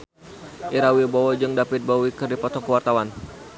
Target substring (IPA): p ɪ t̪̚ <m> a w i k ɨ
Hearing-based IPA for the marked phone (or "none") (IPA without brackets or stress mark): b